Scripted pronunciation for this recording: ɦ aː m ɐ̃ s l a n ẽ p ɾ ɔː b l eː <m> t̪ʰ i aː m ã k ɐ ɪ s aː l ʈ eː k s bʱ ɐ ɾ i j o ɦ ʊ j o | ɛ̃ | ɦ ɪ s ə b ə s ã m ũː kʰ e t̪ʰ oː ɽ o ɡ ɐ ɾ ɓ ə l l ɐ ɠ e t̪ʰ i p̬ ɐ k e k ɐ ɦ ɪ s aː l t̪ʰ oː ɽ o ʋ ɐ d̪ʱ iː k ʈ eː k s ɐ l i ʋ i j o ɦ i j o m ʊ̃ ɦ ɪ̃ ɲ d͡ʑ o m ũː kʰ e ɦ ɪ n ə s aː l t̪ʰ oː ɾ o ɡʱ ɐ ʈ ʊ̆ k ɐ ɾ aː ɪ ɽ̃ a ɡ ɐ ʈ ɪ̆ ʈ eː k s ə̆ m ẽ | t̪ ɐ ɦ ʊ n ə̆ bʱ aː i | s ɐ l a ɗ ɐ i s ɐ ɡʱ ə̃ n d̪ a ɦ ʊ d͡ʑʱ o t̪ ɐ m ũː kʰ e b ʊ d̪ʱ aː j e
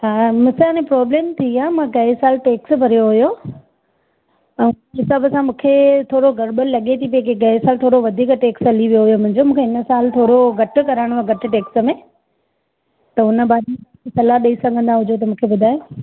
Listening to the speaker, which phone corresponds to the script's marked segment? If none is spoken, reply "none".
m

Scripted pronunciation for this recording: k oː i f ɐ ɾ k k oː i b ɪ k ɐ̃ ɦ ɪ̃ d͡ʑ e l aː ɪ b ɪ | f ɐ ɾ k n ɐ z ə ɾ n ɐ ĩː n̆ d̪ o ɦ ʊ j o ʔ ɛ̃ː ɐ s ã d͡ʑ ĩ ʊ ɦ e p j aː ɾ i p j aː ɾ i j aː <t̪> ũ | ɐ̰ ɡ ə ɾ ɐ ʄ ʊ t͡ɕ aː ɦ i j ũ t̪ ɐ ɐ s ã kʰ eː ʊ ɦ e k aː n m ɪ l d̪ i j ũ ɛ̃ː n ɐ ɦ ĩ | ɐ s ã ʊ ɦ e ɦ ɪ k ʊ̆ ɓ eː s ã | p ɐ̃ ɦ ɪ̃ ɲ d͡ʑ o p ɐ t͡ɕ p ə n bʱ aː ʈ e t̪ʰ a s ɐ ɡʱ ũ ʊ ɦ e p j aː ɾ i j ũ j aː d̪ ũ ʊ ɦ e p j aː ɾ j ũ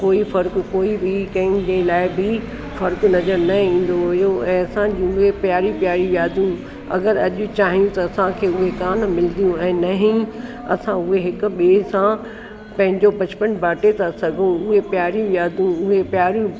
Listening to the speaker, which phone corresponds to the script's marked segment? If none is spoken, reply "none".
d̪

